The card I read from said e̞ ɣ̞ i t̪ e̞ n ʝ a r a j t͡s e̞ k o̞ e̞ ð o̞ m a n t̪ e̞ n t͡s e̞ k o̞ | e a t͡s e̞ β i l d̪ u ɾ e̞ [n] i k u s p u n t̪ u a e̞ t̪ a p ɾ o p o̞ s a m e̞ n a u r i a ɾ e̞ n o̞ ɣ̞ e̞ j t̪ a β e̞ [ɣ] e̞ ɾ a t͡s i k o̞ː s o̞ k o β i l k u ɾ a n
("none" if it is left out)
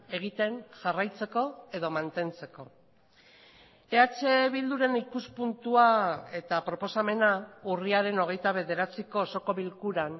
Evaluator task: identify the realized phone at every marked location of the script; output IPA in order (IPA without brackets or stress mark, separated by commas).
n, ð